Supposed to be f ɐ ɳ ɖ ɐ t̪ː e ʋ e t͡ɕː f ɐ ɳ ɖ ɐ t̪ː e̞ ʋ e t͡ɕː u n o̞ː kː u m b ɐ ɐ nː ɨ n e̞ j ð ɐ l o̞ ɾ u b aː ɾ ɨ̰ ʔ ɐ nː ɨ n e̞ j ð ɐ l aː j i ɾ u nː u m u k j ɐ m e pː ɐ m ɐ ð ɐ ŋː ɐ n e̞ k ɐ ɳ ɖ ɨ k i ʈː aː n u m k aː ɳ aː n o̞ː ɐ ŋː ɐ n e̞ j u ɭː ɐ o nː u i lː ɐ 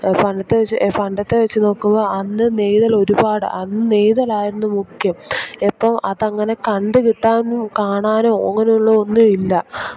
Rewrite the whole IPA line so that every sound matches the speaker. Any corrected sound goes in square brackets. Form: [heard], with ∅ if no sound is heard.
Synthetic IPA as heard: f ɐ ɳ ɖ ɐ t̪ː e ʋ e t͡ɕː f ɐ ɳ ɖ ɐ t̪ː e̞ ʋ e t͡ɕː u n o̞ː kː u m b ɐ ɐ nː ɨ n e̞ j ð ɐ l o̞ ɾ u b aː [ɽ] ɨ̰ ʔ ɐ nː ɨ n e̞ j ð ɐ l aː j i ɾ u nː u m u k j ɐ m e pː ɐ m ɐ ð ɐ ŋː ɐ n e̞ k ɐ ɳ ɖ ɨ k i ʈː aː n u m k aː ɳ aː n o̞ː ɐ ŋː ɐ n e̞ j u ɭː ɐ o nː u i lː ɐ